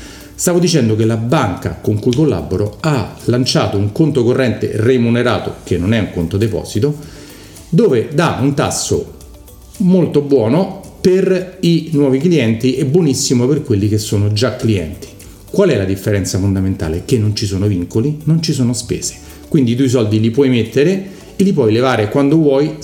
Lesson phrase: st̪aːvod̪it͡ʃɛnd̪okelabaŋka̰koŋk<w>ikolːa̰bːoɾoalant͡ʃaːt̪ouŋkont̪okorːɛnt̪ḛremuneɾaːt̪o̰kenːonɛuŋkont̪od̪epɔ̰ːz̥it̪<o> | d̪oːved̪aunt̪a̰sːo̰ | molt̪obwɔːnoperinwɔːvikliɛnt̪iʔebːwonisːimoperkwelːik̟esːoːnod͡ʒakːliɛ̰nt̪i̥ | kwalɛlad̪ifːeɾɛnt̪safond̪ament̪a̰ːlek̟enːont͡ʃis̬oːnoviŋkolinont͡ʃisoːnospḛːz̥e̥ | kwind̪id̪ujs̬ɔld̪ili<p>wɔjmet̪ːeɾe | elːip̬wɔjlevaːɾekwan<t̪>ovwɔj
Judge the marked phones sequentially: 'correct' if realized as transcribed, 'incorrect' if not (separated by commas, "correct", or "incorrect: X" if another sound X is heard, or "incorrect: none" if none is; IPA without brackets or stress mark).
incorrect: u, correct, correct, incorrect: d̪